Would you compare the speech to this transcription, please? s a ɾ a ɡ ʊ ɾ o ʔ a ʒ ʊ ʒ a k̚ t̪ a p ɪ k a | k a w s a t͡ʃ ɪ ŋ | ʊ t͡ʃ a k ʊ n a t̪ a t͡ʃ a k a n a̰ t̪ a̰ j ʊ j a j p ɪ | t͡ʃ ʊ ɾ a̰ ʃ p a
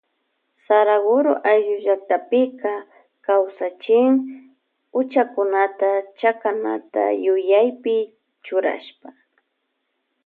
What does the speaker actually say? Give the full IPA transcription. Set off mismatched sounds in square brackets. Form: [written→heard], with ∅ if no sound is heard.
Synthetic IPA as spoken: s a ɾ a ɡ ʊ ɾ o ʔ a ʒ ʊ ʒ a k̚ t̪ a p ɪ k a | k a w s a t͡ʃ ɪ ŋ | ʊ t͡ʃ a k ʊ n a t̪ a t͡ʃ a k a n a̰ t̪ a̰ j ʊ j a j p ɪ | t͡ʃ ʊ ɾ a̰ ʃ p a